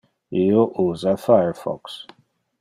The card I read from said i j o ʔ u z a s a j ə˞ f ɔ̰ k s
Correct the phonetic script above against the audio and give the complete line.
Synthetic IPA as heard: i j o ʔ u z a f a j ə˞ f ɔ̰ k s